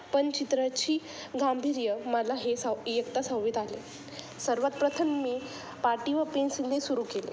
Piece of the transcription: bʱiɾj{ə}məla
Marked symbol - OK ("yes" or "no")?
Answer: yes